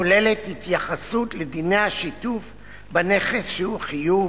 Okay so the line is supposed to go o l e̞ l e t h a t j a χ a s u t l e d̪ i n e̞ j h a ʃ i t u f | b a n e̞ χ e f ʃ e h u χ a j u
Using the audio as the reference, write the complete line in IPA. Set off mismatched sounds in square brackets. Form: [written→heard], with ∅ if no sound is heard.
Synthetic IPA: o l e̞ l e t h [a→i] t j a χ a s u t l e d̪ i n e̞ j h a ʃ i t u f | b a n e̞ χ e [f→s] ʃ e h u χ [a→i] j u